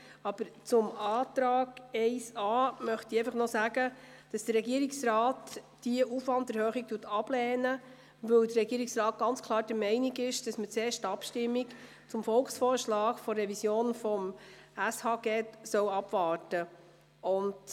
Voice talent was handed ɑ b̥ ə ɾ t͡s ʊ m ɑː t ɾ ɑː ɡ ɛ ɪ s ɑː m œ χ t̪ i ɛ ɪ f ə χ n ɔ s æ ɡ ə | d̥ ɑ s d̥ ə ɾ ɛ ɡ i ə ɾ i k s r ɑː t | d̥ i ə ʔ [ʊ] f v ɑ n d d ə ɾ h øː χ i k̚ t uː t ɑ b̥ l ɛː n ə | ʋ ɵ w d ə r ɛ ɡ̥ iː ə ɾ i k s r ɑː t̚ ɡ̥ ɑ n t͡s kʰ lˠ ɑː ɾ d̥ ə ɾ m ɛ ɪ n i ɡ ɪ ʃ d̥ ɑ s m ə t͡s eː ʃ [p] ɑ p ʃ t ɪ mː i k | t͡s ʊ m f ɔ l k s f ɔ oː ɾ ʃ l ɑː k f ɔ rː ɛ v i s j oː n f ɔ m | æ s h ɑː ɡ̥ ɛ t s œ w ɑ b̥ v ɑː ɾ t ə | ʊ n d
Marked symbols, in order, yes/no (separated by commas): no, no